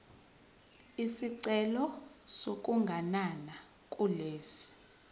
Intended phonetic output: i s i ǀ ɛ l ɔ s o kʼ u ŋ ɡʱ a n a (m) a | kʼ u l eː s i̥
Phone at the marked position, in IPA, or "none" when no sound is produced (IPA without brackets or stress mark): n